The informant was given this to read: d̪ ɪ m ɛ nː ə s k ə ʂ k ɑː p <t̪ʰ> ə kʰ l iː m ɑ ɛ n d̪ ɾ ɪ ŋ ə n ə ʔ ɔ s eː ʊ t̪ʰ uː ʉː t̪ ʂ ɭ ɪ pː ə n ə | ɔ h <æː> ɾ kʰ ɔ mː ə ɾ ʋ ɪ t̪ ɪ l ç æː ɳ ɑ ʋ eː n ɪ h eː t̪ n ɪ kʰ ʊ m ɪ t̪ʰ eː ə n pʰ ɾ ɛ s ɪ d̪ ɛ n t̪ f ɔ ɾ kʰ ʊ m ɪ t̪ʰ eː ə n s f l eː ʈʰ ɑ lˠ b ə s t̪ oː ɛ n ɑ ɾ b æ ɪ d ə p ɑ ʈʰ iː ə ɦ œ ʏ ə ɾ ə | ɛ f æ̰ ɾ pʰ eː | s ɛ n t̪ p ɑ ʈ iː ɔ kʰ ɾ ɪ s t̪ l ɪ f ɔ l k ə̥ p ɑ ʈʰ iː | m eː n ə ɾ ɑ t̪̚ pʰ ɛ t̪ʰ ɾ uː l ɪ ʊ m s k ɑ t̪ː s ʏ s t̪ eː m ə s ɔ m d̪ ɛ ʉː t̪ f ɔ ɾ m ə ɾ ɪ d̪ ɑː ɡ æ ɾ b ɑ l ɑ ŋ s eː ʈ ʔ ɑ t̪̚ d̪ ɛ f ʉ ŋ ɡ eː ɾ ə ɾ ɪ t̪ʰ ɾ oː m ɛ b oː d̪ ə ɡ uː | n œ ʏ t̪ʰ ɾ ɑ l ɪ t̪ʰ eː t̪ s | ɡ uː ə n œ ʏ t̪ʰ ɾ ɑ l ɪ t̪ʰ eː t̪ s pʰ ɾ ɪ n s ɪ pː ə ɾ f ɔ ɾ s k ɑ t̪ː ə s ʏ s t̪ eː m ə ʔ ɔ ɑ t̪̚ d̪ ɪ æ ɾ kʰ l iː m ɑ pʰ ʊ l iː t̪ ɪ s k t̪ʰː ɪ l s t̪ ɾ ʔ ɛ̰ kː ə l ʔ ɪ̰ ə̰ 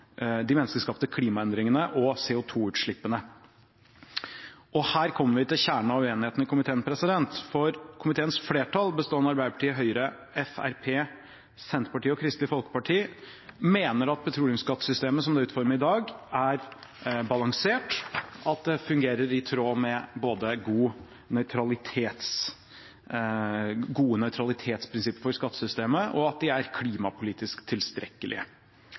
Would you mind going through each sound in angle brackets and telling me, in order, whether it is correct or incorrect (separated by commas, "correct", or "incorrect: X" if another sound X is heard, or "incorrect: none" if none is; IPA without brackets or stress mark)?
incorrect: t̪, correct